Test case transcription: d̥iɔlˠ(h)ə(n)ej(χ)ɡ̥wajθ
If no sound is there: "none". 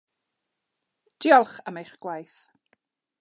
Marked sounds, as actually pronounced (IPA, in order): χ, m, χ

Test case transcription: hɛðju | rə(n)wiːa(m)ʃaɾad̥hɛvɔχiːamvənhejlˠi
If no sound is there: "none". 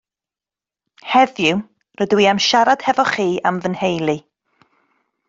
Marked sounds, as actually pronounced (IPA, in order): d, m

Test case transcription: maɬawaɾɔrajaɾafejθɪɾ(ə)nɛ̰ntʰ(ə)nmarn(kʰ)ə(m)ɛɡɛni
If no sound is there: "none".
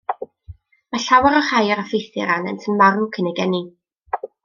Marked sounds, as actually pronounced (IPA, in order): a, ə, kʰ, n

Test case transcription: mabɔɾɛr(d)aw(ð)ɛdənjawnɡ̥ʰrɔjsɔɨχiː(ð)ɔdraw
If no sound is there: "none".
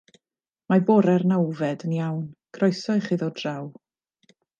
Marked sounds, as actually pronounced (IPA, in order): n, v, ð

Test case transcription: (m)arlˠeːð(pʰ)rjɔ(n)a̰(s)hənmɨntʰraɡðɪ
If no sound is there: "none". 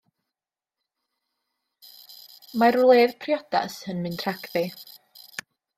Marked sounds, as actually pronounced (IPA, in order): m, pʰ, d, s

